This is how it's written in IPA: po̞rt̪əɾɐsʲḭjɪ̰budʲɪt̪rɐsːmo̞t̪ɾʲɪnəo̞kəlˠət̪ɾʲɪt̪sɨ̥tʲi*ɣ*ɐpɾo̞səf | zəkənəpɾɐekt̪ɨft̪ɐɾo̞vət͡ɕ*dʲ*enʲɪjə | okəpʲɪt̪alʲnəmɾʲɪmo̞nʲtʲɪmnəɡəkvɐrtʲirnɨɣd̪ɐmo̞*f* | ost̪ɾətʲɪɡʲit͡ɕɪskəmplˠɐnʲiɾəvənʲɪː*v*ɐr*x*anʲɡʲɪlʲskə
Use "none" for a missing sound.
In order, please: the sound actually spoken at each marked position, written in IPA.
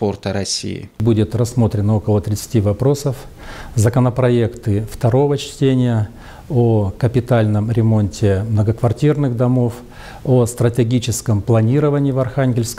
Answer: v, tʲ, f, v, x

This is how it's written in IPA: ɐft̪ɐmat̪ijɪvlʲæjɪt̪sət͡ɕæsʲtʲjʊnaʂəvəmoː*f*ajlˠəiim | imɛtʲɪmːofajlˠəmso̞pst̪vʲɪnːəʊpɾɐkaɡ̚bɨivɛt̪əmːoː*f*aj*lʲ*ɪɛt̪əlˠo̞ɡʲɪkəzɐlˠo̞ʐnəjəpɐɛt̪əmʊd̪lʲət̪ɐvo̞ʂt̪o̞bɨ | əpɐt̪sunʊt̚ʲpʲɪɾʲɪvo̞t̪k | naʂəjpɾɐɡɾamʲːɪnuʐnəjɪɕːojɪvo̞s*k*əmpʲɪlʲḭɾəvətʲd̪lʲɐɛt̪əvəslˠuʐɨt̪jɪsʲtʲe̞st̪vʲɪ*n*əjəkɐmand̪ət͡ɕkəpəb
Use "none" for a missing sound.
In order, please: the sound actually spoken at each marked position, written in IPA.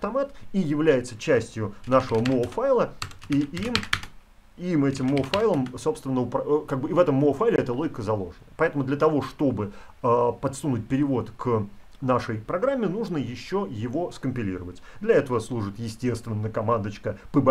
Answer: f, f, lʲ, k, nː

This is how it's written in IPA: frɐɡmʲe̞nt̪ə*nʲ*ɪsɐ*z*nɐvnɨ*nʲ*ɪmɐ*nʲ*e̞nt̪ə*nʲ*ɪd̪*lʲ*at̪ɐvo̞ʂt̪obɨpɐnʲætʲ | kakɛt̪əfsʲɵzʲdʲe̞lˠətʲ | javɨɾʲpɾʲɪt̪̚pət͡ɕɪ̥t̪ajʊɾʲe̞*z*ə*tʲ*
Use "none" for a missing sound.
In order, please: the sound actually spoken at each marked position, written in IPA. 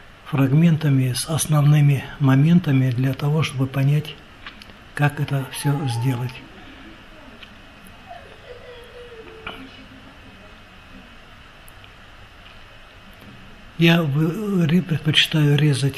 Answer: mʲ, s, mʲ, mʲ, mʲ, lʲ, z, tʲ

